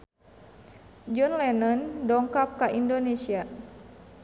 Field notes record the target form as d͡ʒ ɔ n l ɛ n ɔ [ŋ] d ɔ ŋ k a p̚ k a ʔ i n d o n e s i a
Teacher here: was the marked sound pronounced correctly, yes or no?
no